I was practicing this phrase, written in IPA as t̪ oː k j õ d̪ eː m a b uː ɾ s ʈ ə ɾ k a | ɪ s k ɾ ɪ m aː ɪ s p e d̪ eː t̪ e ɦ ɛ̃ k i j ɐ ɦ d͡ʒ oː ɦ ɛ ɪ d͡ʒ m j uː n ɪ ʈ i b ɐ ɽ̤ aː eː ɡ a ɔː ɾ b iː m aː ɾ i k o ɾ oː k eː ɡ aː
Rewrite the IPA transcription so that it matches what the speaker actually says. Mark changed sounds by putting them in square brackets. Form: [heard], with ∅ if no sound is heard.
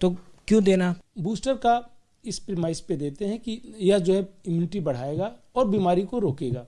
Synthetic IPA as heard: t̪ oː k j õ d̪ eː [n] a b uː [∅] s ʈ ə ɾ k a | ɪ s [p] ɾ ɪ m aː ɪ s p e d̪ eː t̪ e ɦ ɛ̃ k i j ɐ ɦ d͡ʒ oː ɦ ɛ ɪ [∅] m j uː n ɪ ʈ i b ɐ ɽ̤ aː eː ɡ a ɔː ɾ b iː m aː ɾ i k o ɾ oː k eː ɡ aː